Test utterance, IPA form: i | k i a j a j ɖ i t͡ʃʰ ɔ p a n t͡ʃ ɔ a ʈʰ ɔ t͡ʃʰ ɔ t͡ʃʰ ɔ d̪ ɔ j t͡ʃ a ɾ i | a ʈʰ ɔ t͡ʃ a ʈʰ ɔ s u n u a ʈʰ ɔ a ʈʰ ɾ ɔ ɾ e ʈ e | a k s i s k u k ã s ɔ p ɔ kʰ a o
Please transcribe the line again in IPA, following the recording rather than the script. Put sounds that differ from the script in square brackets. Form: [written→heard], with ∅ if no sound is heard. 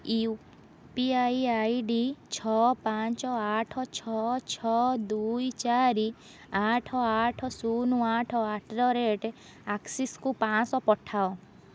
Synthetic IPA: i | [k→p] i a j a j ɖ i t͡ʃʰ ɔ p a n t͡ʃ ɔ a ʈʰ ɔ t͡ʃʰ ɔ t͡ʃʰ ɔ d̪ [ɔ→u] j t͡ʃ a ɾ i | a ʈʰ ɔ [t͡ʃ→∅] a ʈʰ ɔ s u n u a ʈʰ ɔ a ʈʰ ɾ ɔ ɾ e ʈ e | a k s i s k u [k→p] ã s ɔ p ɔ [kʰ→ʈʰ] a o